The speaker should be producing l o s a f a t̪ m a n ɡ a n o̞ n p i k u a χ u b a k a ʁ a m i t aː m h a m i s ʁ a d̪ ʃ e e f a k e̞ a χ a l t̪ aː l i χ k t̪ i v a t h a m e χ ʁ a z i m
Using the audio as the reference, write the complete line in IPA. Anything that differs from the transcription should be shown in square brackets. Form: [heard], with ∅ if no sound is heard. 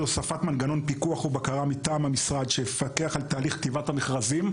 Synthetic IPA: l o s a f a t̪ m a n ɡ a n o̞ n p i k u a χ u b a k a ʁ a m i t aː m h a m i s ʁ a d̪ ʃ e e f a k e̞ a χ a l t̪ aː l i χ k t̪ i v a t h a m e χ ʁ a z i m